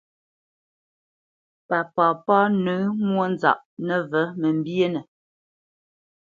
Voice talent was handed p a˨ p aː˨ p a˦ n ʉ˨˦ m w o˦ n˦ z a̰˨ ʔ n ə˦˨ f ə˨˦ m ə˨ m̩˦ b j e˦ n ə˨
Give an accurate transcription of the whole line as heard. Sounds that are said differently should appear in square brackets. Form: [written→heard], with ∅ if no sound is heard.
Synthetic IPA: p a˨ p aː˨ p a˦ n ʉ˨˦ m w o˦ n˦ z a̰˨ ʔ n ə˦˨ [f→v] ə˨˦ m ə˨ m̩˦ b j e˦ n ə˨